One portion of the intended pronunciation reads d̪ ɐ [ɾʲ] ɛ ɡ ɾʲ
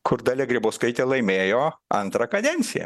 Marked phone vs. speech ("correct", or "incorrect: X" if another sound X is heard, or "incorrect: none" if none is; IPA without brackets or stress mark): incorrect: lʲ